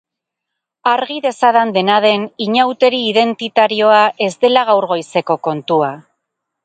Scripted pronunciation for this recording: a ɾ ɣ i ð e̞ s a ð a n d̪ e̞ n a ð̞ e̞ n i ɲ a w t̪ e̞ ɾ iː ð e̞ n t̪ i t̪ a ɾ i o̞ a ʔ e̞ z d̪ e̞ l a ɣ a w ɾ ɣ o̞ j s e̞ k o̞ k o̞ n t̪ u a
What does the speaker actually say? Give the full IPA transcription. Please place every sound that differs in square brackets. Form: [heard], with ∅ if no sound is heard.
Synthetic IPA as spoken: a ɾ ɣ i ð e̞ s a ð a n d̪ e̞ n a ð̞ e̞ n i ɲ a w t̪ e̞ ɾ iː ð e̞ n t̪ i t̪ a ɾ i o̞ a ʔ e̞ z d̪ e̞ l a ɣ a w ɾ ɣ o̞ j s e̞ k o̞ k o̞ n t̪ u a